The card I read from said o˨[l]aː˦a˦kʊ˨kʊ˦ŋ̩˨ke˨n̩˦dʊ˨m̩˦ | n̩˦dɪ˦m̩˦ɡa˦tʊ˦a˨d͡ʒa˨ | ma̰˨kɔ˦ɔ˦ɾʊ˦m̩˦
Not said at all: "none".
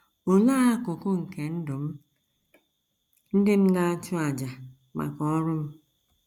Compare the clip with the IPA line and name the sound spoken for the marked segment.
l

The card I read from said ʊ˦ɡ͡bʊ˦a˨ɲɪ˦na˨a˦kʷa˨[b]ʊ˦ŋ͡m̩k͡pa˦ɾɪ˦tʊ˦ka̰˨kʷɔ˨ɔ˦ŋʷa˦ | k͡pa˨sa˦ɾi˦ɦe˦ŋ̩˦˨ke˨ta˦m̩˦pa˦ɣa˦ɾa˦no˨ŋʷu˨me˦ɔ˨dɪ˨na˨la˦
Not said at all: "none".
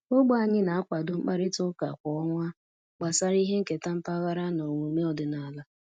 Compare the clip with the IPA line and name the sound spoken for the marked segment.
d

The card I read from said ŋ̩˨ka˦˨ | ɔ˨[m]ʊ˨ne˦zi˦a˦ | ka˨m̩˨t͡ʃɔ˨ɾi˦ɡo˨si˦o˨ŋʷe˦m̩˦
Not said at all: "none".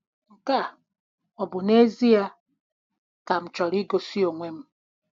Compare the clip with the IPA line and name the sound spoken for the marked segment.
b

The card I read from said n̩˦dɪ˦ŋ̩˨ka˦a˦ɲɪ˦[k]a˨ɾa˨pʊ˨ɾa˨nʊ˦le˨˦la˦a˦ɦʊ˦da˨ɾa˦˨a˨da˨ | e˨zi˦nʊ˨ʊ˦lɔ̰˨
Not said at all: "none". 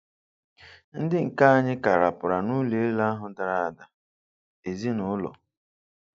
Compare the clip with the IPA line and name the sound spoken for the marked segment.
k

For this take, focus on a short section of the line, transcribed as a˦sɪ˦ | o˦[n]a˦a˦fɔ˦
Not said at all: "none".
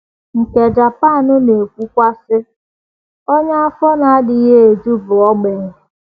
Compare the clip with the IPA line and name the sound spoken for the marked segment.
ɲ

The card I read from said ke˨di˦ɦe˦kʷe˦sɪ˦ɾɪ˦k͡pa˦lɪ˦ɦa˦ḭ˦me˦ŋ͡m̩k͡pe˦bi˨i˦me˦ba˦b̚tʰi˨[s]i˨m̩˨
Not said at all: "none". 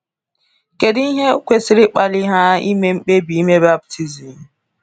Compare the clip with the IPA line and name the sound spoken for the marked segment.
z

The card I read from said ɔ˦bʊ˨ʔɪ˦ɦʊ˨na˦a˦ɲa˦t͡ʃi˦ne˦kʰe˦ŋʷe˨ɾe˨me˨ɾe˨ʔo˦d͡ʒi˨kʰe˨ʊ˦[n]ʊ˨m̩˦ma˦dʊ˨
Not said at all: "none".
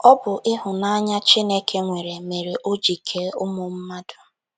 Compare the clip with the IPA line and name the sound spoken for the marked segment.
m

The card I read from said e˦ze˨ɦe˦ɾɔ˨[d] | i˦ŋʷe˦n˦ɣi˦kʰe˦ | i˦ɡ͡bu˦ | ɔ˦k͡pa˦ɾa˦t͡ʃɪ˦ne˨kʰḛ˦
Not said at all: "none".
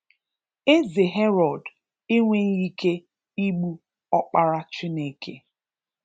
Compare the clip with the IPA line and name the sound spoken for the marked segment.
d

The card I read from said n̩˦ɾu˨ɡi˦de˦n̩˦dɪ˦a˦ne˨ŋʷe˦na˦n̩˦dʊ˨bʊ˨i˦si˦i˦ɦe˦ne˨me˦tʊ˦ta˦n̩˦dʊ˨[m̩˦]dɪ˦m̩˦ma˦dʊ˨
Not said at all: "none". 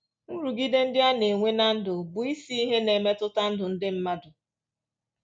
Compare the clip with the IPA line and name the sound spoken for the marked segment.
n̩˦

